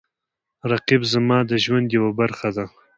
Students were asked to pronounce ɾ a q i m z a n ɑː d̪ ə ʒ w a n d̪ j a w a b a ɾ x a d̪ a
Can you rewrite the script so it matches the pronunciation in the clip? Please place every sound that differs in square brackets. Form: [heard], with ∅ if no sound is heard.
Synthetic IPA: ɾ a q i [b] z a [m] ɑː d̪ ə ʒ w a n d̪ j a w a b a ɾ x a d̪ a